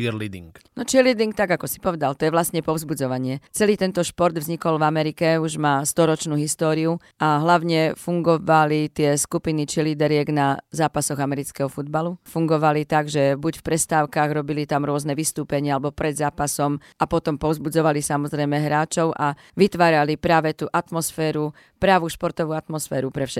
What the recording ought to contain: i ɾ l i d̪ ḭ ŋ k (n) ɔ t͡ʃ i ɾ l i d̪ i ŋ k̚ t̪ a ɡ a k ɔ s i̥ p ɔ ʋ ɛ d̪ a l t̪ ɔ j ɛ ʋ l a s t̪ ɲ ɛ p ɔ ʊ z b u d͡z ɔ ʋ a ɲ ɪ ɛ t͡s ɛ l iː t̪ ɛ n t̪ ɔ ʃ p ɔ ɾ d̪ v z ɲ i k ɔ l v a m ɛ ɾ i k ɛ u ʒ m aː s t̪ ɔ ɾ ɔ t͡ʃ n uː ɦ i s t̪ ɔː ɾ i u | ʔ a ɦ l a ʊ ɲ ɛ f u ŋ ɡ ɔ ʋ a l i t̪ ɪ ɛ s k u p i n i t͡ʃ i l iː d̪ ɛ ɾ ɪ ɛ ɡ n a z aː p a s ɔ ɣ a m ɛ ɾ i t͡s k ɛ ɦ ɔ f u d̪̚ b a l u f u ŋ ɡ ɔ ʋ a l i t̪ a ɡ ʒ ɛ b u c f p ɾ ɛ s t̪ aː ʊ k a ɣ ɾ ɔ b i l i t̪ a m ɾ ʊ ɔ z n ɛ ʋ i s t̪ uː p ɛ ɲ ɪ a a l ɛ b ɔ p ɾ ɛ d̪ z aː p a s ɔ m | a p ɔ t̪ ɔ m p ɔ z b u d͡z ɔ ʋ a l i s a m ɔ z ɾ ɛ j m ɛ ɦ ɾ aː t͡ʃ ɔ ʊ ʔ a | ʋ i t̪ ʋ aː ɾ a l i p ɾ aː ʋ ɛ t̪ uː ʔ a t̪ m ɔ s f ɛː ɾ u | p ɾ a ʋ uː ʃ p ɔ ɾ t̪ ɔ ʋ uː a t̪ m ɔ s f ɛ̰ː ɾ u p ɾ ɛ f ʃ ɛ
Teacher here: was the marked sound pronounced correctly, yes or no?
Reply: yes